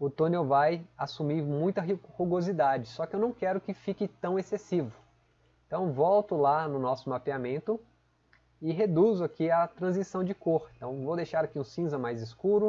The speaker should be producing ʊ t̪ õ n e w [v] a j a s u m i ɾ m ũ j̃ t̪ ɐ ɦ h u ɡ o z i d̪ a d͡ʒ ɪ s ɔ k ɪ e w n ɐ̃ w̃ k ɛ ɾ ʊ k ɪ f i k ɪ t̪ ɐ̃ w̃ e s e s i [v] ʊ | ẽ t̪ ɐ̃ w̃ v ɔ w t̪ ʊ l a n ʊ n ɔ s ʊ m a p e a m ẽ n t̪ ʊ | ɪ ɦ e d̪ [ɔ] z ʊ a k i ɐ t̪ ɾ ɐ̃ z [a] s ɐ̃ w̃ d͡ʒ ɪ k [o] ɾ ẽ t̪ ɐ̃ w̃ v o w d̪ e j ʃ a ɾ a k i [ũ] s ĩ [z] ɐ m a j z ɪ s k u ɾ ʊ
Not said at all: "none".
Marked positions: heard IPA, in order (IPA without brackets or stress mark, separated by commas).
v, v, u, i, o, ũ, z